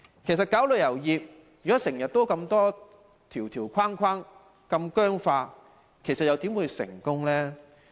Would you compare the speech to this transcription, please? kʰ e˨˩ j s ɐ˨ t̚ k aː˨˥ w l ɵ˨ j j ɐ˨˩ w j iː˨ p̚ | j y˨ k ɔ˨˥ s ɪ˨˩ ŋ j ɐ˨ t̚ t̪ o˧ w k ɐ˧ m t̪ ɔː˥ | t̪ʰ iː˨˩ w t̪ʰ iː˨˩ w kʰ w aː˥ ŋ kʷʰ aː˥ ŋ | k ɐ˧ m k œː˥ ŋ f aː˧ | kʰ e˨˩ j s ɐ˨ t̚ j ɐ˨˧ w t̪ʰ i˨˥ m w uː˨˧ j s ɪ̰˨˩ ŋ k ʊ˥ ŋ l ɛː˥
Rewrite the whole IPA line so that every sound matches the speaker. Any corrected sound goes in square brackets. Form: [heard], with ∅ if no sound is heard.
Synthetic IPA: kʰ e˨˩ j s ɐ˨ t̚ k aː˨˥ w l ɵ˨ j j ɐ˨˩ w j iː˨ p̚ | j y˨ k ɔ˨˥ s ɪ˨˩ ŋ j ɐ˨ t̚ t̪ [o˥] w k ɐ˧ m t̪ ɔː˥ | t̪ʰ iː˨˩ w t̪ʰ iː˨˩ w kʰ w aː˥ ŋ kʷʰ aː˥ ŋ | k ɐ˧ m k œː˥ ŋ f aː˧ | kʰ e˨˩ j s ɐ˨ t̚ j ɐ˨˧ w [t̪] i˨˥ m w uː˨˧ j s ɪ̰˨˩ ŋ k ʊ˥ ŋ l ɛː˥

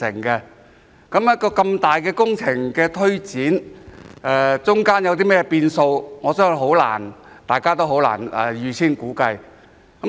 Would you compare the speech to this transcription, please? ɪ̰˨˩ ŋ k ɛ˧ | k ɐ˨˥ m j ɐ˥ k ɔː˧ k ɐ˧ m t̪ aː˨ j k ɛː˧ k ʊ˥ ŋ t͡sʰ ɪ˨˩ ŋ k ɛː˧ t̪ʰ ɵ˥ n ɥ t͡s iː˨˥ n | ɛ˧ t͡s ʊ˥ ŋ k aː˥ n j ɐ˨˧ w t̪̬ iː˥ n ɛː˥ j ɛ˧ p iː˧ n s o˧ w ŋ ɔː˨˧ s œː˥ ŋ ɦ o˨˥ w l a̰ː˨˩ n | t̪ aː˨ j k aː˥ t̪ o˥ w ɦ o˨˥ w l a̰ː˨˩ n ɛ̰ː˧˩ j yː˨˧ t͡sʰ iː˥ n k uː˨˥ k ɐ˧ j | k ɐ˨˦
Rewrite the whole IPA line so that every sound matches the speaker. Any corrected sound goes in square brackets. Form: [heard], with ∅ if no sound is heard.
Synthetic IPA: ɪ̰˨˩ ŋ k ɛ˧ | k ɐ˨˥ m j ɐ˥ k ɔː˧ k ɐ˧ m t̪ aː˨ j k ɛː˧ k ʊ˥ ŋ t͡sʰ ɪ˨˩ ŋ k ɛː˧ t̪ʰ ɵ˥ [∅] ɥ t͡s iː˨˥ n | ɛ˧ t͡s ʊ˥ ŋ k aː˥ n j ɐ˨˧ w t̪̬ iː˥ [m] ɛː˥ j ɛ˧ p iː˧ n s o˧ w ŋ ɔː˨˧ s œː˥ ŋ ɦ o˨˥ w l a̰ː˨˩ n | t̪ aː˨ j k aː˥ t̪ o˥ w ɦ o˨˥ w l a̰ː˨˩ n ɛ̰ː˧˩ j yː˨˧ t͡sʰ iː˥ n k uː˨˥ k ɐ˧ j | k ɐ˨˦

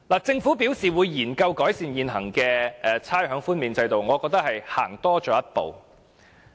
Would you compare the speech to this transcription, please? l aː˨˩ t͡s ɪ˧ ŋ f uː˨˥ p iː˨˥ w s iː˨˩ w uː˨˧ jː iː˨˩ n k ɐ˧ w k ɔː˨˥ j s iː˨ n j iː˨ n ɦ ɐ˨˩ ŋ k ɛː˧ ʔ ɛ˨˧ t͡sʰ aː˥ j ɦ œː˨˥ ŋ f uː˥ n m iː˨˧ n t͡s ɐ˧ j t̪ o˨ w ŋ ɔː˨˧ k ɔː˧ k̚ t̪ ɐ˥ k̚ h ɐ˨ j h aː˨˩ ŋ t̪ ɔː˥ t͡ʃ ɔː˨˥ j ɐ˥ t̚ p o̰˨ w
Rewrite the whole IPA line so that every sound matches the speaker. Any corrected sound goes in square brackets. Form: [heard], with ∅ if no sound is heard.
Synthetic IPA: l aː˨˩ t͡s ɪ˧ ŋ f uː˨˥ p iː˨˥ w s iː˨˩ w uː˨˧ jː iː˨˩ n k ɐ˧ w k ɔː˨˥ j s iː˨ n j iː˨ n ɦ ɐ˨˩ ŋ k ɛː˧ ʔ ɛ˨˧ t͡sʰ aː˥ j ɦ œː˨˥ ŋ f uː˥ n m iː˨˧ n t͡s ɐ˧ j t̪ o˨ w ŋ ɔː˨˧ k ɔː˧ k̚ t̪ ɐ˥ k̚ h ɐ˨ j h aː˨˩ ŋ t̪ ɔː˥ t͡ʃ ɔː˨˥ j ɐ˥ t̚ p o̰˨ w

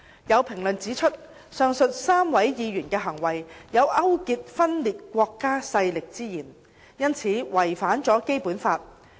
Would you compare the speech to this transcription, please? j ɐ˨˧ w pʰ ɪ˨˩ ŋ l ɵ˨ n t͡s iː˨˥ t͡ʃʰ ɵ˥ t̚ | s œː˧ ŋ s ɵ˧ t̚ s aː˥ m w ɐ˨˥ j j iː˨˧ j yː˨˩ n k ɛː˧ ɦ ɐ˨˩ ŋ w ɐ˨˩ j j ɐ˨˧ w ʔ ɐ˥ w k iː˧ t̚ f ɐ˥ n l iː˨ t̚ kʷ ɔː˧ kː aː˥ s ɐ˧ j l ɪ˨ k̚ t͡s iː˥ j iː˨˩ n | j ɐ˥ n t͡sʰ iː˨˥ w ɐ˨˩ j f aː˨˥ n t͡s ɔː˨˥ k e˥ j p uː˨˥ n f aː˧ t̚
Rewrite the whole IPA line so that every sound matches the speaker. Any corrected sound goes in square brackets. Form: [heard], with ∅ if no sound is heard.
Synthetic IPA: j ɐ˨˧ w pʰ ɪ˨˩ ŋ l ɵ˨ n t͡s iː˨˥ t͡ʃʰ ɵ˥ t̚ | s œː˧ ŋ s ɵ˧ t̚ s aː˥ m w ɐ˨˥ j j iː˨˧ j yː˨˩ n k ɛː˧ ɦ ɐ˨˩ ŋ w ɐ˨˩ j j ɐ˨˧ w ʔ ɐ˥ w k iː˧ t̚ f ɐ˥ n l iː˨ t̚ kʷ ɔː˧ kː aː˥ s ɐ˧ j l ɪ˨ k̚ t͡s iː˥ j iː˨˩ n | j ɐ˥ n t͡sʰ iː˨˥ w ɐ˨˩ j f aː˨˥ n t͡s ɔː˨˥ k e˥ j p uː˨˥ n f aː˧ t̚

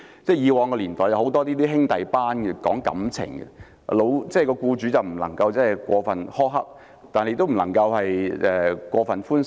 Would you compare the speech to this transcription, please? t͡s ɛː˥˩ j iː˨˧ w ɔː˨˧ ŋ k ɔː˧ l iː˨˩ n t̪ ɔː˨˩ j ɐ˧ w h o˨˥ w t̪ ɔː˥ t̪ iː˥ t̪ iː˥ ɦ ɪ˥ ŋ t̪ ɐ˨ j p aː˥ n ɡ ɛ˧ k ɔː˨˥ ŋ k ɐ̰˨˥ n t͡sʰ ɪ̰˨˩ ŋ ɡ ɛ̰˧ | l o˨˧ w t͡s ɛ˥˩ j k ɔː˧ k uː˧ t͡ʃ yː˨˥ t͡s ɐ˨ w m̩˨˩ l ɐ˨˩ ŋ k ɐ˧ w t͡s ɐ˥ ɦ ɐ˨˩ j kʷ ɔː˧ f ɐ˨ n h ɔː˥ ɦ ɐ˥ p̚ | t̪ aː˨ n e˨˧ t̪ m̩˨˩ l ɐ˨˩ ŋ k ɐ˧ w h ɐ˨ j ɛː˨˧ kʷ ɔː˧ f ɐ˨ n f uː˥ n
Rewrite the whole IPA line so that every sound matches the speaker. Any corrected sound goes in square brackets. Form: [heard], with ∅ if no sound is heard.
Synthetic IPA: t͡s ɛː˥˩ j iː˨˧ w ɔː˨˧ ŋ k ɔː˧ l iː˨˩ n t̪ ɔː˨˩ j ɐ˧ w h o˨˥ w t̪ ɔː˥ t̪ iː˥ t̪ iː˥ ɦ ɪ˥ ŋ t̪ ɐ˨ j p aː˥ n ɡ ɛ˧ k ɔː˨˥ ŋ k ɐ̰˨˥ [m] t͡sʰ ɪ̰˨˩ ŋ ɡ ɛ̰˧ | l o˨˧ w t͡s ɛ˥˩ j k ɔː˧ k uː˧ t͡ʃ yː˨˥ t͡s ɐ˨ w m̩˨˩ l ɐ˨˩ ŋ k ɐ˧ w t͡s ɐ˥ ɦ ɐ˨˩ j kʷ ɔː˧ f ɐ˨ n h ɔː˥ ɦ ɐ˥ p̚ | t̪ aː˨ n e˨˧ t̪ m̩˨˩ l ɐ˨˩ ŋ k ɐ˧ w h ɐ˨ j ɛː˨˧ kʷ ɔː˧ f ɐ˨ n f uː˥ n

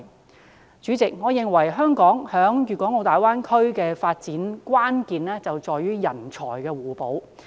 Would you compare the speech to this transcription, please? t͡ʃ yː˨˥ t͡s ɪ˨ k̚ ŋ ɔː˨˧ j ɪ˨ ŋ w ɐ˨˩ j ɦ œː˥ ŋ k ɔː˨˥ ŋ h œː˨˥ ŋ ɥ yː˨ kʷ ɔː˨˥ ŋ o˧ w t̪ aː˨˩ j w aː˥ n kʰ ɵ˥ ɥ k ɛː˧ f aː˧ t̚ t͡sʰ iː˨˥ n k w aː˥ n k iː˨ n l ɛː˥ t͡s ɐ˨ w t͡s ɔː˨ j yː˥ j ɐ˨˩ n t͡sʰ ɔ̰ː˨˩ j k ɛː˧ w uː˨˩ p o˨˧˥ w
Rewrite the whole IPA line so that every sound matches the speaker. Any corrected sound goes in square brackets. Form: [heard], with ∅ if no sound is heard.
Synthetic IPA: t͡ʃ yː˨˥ t͡s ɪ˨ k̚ ŋ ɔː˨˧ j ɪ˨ ŋ w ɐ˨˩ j ɦ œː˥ ŋ k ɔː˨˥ ŋ h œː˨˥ ŋ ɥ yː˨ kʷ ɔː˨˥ ŋ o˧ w t̪ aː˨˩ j w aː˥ n kʰ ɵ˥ ɥ k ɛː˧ f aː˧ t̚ [t͡s] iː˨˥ n k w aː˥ n k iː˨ n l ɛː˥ t͡s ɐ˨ w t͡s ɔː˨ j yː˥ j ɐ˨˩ n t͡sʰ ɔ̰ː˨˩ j k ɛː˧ w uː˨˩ p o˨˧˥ w

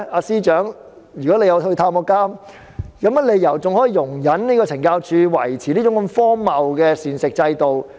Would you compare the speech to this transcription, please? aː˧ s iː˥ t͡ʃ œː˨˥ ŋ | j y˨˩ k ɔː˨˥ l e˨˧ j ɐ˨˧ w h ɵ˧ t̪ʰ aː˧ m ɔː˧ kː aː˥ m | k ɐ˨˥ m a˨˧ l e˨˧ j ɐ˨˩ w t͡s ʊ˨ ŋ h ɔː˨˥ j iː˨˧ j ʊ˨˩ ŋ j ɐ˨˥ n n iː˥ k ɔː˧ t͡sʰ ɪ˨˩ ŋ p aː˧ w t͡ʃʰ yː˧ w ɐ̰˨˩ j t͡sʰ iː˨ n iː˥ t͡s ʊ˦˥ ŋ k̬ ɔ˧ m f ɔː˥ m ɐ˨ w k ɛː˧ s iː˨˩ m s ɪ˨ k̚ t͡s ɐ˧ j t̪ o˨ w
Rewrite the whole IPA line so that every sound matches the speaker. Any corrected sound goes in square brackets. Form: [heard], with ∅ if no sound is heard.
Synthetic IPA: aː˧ s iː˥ t͡ʃ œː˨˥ ŋ | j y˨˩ k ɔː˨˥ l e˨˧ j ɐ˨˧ w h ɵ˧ t̪ʰ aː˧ m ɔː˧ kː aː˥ m | k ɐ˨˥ m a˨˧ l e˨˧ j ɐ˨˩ w t͡s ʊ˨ ŋ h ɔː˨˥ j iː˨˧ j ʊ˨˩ ŋ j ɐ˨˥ n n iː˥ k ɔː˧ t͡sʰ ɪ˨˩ ŋ [k] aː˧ w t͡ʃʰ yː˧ w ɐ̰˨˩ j t͡sʰ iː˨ n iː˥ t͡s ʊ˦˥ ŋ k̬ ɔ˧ m f ɔː˥ m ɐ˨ w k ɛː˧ s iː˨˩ [n] s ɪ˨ k̚ t͡s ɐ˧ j t̪ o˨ w

